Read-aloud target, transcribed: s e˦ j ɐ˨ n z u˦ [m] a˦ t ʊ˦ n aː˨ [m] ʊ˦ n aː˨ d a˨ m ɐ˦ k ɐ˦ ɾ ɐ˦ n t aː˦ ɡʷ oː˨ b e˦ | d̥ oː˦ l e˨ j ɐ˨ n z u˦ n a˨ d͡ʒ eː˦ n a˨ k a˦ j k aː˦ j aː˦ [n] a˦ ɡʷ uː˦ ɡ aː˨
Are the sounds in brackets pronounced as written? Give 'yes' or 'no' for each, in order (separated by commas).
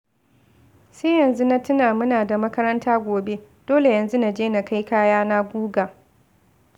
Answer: no, yes, yes